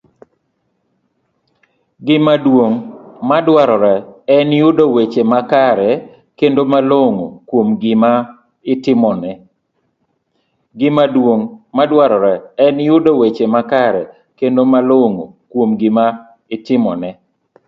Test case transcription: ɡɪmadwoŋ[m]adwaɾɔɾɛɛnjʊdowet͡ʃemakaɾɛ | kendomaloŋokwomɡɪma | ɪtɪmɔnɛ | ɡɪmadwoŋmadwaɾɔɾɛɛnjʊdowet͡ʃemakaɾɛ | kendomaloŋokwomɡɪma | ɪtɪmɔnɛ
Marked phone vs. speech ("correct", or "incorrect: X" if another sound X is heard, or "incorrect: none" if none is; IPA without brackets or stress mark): correct